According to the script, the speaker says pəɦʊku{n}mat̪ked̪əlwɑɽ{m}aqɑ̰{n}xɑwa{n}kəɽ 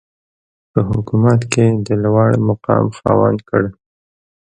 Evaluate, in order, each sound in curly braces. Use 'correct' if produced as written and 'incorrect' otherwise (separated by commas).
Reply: incorrect, correct, incorrect, correct